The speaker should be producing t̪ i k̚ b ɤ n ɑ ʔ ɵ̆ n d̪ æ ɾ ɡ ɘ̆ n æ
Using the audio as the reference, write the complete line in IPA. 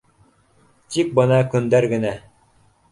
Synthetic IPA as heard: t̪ i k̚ b ɤ n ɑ k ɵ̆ n d̪ æ ɾ ɡ ɘ̆ n æ